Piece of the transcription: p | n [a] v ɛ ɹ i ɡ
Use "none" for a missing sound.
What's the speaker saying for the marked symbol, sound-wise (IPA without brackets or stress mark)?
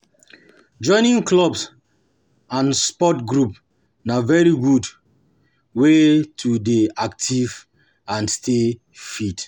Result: a